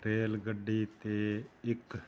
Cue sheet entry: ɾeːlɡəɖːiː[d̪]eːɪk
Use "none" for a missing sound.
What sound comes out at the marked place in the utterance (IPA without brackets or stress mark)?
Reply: t̪